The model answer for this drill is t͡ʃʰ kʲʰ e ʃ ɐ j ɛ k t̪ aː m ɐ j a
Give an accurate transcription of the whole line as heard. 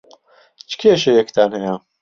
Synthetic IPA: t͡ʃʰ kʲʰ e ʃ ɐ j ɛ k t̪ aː n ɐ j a